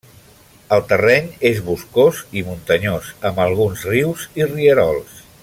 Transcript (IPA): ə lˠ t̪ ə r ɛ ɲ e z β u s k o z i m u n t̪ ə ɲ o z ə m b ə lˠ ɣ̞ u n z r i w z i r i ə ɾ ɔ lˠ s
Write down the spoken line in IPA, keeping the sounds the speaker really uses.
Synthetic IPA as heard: ə lˠ t̪ ə r ɛ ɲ e z β u s k o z i m u n t̪ ə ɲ o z ə m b ə lˠ ɣ̞ u n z r i w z i r i ə ɾ ɔ lˠ s

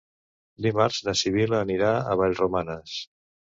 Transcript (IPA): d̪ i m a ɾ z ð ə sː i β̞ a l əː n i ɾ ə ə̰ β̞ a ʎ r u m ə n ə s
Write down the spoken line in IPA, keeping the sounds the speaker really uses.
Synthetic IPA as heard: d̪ i m a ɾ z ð ə s i β̞ i l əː n i ɾ a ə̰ β̞ a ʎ r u m a n ə s

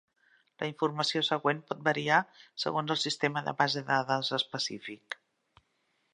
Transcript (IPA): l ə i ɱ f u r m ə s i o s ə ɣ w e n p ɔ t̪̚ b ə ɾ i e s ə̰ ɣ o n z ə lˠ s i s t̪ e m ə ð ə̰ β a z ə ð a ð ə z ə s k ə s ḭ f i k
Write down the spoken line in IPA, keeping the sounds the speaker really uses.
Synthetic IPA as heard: l ə i ɱ f u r m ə s i o s ə ɣ w e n p ɔ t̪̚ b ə ɾ i a s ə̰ ɣ o n z ə lˠ s i s t̪ e m ə ð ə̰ β a z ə ð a ð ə z ə s p ə s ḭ f i k

